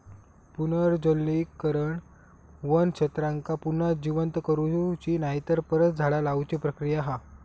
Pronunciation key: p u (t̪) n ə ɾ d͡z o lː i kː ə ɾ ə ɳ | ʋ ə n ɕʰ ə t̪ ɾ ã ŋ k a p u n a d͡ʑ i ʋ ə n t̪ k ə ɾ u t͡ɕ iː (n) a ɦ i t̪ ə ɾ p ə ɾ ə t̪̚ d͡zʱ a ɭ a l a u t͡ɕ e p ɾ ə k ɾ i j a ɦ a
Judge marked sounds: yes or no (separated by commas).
no, yes